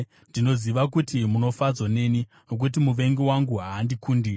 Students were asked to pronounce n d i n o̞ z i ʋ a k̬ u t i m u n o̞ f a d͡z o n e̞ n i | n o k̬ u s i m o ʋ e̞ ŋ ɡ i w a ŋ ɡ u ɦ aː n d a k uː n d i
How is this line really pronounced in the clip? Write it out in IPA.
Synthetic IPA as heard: n d i n o̞ z i ʋ a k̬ u t i m u n o̞ f a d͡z o n e̞ n i | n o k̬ u t i m u ʋ e̞ ŋ ɡ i w a ŋ ɡ u ɦ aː n d i k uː n d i